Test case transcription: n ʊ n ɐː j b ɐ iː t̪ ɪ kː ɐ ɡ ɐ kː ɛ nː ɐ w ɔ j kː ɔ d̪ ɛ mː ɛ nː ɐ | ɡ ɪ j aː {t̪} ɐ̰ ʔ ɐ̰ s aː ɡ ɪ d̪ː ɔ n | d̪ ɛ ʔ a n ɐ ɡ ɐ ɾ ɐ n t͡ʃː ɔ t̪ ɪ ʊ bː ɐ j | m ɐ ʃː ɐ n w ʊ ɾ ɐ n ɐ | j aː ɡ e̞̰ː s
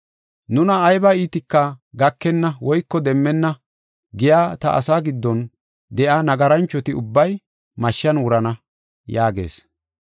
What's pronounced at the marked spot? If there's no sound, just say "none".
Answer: t̪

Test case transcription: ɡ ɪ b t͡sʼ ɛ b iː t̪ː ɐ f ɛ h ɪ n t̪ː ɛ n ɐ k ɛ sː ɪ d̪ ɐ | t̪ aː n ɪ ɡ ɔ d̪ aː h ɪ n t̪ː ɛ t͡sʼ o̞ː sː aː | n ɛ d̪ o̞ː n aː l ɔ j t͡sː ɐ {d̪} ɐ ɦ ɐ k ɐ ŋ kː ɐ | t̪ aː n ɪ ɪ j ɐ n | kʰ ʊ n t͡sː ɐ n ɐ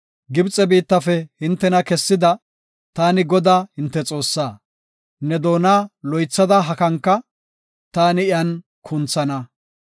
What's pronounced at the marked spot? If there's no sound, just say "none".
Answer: d̪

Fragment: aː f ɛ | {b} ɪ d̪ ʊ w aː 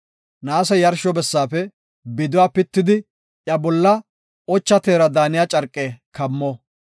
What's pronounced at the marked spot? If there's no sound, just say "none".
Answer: b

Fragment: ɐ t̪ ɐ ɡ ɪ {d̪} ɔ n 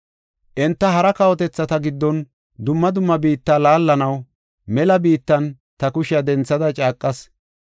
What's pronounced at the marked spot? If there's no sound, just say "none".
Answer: d̪ː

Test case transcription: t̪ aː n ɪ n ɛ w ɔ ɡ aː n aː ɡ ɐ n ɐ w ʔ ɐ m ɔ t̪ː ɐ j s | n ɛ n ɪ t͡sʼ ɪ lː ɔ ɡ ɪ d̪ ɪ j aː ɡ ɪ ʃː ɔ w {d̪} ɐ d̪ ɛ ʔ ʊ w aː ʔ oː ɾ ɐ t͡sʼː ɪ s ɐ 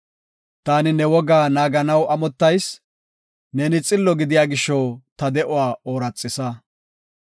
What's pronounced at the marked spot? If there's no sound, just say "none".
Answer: t̪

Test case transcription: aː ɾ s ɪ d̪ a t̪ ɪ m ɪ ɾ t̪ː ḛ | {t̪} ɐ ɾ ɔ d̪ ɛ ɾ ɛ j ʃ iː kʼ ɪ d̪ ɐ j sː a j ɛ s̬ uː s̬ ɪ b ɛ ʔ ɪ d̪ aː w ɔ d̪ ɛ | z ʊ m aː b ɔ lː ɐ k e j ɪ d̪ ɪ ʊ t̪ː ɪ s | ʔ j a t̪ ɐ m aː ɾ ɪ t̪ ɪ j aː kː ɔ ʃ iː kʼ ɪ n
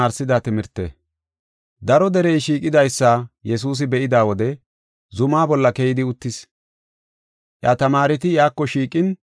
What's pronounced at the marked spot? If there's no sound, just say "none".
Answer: d̪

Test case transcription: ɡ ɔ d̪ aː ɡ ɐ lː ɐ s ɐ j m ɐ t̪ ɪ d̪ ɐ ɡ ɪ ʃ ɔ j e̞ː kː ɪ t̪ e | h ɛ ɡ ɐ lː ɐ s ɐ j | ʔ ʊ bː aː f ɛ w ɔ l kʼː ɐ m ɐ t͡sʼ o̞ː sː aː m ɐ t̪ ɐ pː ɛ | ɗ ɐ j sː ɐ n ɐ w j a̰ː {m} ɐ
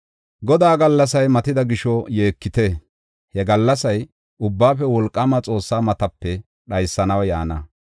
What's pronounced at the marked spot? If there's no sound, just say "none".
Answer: n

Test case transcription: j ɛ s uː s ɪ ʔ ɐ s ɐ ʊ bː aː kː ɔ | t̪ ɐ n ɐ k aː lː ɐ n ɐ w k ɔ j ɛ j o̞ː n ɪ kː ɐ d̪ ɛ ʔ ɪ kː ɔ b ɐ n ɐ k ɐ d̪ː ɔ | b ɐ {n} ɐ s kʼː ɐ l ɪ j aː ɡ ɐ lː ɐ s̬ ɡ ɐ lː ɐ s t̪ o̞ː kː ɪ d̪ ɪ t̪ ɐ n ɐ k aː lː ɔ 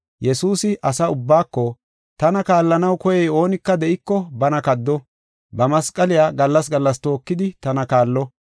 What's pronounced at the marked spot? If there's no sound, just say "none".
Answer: m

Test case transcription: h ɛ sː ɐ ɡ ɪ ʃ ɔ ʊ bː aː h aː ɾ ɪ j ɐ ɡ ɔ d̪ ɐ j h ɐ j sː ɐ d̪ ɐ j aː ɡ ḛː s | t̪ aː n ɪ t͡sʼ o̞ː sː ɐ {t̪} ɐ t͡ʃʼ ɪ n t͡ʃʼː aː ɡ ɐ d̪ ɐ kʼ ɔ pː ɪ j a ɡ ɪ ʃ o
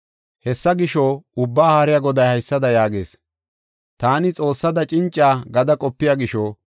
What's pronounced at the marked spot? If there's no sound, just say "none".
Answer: d̪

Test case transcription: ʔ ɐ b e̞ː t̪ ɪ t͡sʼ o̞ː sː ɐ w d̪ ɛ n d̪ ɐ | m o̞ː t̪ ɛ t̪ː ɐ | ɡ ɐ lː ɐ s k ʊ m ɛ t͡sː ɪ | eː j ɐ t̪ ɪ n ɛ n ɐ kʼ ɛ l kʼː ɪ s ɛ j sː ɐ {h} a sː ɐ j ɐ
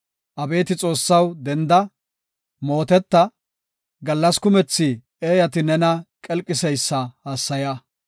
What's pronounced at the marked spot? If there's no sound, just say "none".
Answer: h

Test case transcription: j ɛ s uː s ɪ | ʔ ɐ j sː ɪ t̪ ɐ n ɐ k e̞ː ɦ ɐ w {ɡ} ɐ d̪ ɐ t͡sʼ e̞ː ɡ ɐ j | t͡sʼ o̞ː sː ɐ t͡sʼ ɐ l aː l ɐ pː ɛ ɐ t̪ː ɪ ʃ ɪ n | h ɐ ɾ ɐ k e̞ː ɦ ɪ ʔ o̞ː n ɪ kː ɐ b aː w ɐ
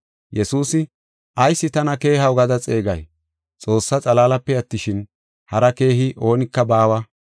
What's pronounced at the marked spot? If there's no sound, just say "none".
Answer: ɡ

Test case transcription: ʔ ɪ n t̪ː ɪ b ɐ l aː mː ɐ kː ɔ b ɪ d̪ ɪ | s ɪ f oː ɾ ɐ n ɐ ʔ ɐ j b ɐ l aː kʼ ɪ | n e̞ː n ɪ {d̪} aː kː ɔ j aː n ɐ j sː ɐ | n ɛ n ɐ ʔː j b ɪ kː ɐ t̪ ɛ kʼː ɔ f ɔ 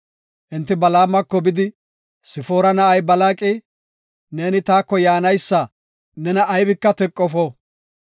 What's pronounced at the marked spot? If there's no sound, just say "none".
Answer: t̪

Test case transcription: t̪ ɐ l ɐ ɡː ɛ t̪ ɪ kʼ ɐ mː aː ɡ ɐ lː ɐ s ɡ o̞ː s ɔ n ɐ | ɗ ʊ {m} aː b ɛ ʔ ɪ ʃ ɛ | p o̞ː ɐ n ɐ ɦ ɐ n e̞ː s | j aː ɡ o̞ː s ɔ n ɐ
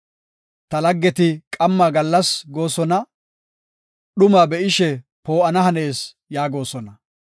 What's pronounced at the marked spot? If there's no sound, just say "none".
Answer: m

